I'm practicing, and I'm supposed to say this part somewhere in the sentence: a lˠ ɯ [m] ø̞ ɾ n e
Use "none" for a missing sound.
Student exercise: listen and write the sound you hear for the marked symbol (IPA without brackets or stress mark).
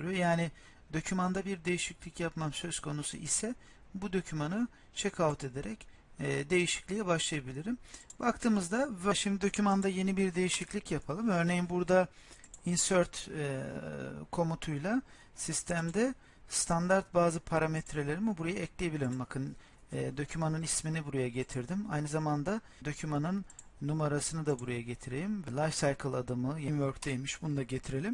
m